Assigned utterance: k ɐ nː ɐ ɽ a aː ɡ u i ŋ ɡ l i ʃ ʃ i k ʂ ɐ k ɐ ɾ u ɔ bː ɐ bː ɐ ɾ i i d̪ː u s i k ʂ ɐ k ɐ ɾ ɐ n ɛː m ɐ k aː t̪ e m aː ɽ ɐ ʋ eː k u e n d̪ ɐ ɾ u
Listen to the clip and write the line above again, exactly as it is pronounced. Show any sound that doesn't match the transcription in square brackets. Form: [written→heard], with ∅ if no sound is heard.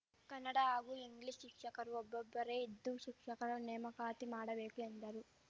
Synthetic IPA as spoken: k ɐ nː ɐ ɽ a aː ɡ u i ŋ ɡ l i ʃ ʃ i k ʂ ɐ k ɐ ɾ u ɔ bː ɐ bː ɐ ɾ [i→e] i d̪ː u [s→ʃ] i k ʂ ɐ k ɐ ɾ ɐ n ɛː m ɐ k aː t̪ [e→i] m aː ɽ ɐ ʋ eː k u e n d̪ ɐ ɾ u